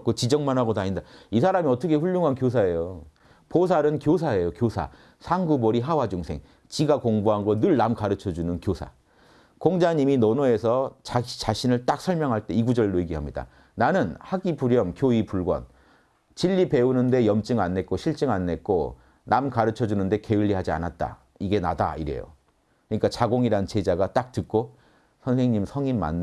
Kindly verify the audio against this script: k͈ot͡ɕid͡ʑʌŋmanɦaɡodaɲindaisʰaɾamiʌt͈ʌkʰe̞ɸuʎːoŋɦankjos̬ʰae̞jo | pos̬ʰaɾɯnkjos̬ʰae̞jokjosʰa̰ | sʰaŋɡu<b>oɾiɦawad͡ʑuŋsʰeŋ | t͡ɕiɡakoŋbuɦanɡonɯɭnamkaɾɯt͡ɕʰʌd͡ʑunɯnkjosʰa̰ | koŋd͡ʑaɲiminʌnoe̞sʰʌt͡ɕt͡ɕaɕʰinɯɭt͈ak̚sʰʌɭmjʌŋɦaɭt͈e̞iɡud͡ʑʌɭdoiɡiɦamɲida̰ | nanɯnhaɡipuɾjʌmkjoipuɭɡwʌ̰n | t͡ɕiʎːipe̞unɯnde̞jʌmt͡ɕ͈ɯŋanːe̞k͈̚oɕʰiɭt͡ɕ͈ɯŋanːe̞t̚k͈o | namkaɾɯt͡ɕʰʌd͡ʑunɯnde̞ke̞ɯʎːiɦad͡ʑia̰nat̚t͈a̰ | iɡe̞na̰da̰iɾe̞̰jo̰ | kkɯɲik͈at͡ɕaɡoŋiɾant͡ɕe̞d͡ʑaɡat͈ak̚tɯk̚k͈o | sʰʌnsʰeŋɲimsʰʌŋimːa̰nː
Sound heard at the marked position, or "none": b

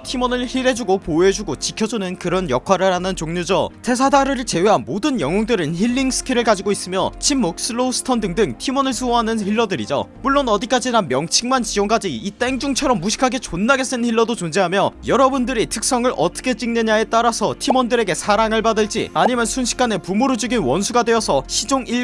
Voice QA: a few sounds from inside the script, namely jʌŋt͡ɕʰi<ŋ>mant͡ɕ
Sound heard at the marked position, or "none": ŋ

